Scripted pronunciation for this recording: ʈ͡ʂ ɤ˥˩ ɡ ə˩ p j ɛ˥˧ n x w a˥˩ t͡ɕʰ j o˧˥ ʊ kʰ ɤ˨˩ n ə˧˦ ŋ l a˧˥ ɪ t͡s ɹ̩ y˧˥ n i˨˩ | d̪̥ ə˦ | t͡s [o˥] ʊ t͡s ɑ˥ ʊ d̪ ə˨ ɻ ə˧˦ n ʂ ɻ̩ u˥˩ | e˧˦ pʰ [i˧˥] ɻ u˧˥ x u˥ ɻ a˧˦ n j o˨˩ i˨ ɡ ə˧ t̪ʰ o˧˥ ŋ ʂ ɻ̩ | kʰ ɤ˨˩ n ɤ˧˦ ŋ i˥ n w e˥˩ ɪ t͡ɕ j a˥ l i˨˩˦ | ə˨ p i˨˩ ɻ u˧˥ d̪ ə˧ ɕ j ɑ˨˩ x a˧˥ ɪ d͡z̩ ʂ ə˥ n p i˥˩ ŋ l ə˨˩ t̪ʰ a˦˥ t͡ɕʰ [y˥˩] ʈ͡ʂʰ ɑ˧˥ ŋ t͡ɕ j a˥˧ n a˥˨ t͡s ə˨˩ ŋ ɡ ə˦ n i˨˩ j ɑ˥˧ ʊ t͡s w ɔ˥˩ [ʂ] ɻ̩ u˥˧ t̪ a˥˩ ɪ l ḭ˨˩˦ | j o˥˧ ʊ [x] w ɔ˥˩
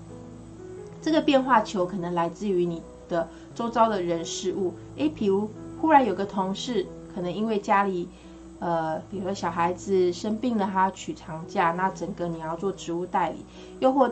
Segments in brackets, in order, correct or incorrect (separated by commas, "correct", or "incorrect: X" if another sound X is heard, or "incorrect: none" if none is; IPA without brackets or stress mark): correct, incorrect: i˨˩, incorrect: y˨˩, incorrect: ʈ͡ʂ, correct